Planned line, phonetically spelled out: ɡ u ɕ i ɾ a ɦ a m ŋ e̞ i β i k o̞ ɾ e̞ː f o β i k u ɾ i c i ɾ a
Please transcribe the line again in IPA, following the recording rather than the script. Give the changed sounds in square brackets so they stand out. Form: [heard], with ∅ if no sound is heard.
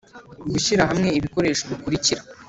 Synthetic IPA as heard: ɡ u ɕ i ɾ a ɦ a m ŋ e̞ i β i k o̞ ɾ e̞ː [ʃ] o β i k u ɾ i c i ɾ a